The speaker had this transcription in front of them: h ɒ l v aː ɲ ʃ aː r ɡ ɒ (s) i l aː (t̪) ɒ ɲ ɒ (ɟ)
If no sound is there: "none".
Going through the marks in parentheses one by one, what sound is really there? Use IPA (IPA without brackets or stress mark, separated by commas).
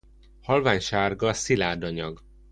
s, d̪, ɡ